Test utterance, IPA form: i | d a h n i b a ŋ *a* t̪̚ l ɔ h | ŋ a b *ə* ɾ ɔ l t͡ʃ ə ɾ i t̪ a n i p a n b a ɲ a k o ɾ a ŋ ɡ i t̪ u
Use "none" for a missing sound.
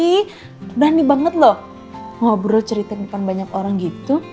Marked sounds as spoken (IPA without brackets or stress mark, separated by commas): ə, ə